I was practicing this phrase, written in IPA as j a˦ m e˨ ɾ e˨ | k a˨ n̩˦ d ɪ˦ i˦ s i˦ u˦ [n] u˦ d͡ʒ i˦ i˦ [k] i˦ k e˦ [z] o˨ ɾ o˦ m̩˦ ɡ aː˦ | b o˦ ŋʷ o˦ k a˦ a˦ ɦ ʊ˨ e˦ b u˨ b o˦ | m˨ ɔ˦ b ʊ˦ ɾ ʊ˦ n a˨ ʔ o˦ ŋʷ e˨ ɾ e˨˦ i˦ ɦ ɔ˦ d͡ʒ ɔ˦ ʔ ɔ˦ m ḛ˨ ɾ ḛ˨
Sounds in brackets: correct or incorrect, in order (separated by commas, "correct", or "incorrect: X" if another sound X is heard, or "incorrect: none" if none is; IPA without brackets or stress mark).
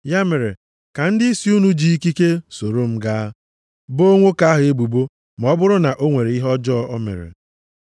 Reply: correct, correct, incorrect: s